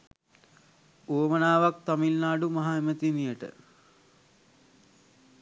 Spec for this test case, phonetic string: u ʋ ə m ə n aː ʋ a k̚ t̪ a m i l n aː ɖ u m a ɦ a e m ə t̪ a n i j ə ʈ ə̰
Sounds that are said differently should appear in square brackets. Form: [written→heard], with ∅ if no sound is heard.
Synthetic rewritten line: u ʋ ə m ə n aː ʋ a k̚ t̪ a m i l n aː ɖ u m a ɦ a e m ə t̪ [a→i] n i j ə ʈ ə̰